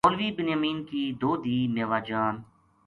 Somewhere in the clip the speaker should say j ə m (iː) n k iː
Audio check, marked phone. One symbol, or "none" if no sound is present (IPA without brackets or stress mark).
iː